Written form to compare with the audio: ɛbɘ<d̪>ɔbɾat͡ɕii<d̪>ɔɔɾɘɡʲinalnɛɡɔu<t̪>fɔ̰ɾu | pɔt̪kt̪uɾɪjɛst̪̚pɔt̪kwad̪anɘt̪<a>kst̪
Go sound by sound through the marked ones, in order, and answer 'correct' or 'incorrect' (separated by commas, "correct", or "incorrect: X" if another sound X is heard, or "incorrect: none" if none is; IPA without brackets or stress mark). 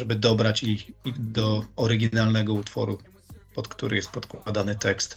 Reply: correct, correct, correct, incorrect: ɛ